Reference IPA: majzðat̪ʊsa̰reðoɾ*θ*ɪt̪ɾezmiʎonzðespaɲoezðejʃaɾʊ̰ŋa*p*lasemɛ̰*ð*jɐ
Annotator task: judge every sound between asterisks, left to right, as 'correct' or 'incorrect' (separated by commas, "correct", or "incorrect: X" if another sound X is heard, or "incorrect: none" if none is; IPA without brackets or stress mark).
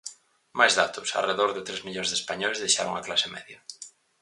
incorrect: ð, incorrect: k, correct